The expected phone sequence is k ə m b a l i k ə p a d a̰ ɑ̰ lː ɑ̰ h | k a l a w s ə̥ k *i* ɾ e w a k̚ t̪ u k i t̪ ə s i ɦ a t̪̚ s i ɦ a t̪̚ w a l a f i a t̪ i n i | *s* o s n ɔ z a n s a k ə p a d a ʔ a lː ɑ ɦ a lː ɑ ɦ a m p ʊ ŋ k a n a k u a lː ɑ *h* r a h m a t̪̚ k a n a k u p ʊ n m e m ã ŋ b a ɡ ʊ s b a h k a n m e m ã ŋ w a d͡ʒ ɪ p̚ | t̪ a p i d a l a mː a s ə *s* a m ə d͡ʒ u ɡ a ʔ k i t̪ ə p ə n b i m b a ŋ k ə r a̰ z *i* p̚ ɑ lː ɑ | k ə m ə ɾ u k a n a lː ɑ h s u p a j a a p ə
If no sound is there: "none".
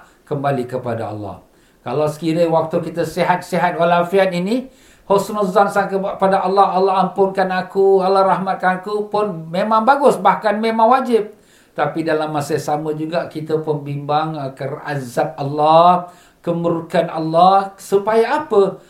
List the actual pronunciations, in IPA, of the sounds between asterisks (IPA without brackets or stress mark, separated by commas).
i, h, h, s, a